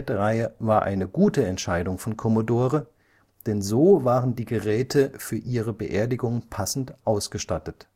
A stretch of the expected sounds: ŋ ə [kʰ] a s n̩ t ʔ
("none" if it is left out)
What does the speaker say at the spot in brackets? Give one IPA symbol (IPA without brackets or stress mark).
pʰ